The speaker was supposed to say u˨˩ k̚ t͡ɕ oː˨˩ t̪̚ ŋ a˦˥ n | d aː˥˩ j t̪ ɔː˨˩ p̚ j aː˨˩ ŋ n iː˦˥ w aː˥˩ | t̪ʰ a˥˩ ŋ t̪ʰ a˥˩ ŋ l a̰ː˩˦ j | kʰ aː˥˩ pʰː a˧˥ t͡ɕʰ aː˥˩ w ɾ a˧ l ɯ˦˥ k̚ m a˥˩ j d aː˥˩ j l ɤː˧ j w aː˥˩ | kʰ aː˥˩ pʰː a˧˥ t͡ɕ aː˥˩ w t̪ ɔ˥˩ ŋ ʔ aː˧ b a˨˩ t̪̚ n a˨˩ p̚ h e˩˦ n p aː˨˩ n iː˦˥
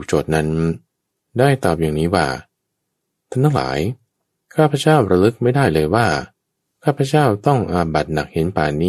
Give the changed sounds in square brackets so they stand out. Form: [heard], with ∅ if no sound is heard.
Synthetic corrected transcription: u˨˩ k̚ t͡ɕ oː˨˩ t̪̚ [n] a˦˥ n | d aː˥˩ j t̪ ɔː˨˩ p̚ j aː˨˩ ŋ n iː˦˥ w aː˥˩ | t̪ʰ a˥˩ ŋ t̪ʰ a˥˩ ŋ l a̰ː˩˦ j | kʰ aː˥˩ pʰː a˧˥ [t͡ɕ] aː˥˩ w ɾ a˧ l ɯ˦˥ k̚ m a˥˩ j d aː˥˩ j l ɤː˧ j w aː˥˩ | kʰ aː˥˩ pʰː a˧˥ t͡ɕ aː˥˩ w t̪ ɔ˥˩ ŋ ʔ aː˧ b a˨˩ t̪̚ n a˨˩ [k̚] h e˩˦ n p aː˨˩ n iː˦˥